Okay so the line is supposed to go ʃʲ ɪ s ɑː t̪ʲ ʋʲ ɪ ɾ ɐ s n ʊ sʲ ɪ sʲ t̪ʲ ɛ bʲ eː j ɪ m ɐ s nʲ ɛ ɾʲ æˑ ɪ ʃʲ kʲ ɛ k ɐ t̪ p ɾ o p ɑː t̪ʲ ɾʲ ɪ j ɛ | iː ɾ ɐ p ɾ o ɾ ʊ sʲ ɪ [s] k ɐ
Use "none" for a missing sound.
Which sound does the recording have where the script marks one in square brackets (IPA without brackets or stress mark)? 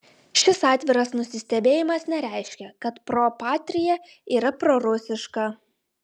ʃ